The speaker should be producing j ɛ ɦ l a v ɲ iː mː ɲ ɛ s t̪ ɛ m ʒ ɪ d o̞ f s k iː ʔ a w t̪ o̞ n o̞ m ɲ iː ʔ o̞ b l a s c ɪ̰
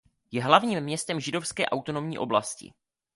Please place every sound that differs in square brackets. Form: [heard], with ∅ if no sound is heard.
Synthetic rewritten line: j ɛ ɦ l a v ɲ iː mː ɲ ɛ s t̪ ɛ m ʒ ɪ d o̞ f s k [ɛː] ʔ a w t̪ o̞ n o̞ m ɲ iː ʔ o̞ b l a s c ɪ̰